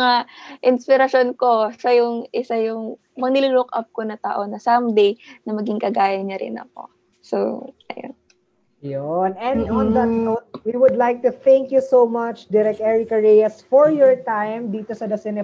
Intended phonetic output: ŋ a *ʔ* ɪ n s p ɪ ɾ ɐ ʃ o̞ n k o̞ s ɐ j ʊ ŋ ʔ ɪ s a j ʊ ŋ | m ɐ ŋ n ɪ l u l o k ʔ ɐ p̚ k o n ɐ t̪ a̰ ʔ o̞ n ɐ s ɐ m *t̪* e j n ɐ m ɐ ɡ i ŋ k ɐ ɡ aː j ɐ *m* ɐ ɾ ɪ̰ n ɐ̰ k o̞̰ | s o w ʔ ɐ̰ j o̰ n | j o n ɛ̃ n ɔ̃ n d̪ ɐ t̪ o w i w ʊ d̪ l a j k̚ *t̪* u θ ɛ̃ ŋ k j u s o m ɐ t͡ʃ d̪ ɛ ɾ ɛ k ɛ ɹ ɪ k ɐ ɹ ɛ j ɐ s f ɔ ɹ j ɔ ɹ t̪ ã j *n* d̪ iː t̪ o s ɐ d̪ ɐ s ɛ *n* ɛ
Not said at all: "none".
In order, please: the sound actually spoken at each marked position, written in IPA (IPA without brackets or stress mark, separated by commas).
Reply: ʔ, d̪, ɲ, t̪, m, n